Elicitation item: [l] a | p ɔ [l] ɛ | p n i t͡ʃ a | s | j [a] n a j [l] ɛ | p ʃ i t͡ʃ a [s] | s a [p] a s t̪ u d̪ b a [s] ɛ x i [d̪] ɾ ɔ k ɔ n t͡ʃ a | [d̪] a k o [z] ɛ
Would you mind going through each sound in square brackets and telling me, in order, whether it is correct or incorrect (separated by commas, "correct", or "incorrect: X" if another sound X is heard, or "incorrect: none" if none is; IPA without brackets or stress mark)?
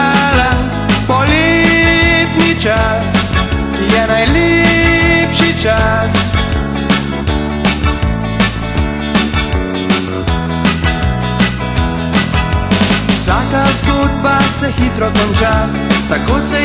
correct, correct, incorrect: ɛ, correct, correct, incorrect: k, correct, incorrect: t̪, incorrect: t̪, incorrect: s